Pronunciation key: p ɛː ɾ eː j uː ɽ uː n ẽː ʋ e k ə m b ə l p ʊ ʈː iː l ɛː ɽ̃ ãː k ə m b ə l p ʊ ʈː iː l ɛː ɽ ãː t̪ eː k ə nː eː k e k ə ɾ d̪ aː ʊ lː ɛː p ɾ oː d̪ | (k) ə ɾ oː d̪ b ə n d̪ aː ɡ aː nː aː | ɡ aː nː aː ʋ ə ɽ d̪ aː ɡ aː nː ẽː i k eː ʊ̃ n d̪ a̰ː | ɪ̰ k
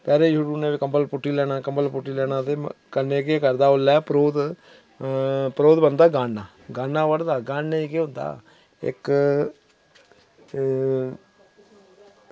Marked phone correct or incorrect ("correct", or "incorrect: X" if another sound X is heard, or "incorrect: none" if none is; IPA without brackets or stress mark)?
incorrect: p